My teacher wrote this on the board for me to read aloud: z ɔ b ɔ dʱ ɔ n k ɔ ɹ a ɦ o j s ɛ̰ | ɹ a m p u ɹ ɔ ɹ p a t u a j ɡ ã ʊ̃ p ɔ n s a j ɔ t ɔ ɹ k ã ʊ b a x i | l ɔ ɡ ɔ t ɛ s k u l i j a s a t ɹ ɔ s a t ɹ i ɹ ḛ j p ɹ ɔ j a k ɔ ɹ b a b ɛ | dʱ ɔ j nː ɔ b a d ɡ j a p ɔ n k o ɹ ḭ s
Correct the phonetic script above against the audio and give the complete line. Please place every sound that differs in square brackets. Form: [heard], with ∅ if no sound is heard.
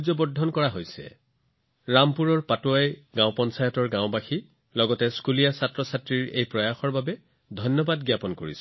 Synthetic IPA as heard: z ɔ b ɔ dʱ ɔ n k ɔ ɹ a ɦ o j s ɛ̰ | ɹ a m p u ɹ ɔ ɹ p a t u a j ɡ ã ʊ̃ p ɔ n s a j ɔ t ɔ ɹ [ɡ] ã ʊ b a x i | l ɔ ɡ ɔ t ɛ s k u l i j a s a t ɹ ɔ s a t ɹ i ɹ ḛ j p ɹ ɔ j a [x] ɔ ɹ b a b ɛ | dʱ ɔ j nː ɔ b a d ɡ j a p ɔ n k o ɹ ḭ s